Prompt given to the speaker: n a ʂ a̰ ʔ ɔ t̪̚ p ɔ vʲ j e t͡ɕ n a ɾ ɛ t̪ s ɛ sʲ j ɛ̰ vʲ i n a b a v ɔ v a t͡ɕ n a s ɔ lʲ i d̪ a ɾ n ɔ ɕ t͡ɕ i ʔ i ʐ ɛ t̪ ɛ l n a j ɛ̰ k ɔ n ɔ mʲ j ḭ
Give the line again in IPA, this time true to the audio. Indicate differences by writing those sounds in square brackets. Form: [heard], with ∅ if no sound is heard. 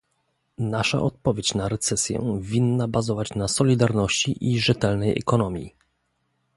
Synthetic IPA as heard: n a ʂ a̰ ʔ ɔ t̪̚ p ɔ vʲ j e t͡ɕ n a ɾ ɛ t̪ s ɛ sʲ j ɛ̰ vʲ i [nː] a b a [z] ɔ v a t͡ɕ n a s ɔ lʲ i d̪ a ɾ n ɔ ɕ t͡ɕ i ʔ i ʐ ɛ t̪ ɛ l n [ɛ] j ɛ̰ k ɔ n ɔ mʲ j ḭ